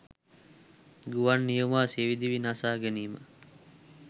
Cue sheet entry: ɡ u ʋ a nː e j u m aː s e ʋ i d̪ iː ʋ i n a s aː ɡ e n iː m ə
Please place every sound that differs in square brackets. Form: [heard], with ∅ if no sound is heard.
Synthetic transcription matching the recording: ɡ u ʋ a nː [i] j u m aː s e ʋ i d̪ [i] ʋ i n a s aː ɡ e n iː m ə